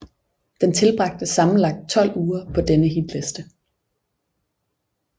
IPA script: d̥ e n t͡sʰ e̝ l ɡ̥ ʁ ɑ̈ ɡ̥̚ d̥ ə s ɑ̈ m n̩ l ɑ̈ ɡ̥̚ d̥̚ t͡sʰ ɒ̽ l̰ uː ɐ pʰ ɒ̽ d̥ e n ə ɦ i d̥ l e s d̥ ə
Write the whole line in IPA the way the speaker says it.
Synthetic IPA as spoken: d̥ e n t͡sʰ e̝ l b̥ ʁ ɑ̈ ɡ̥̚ d̥ ə s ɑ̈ m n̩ l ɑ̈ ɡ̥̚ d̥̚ t͡sʰ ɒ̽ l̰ uː ɐ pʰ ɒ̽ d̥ e n ə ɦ i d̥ l e s d̥ ə